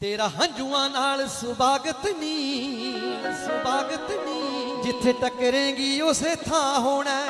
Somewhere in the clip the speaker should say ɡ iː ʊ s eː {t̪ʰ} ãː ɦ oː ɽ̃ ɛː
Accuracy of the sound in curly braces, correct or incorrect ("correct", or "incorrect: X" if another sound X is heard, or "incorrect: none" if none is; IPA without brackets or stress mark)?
correct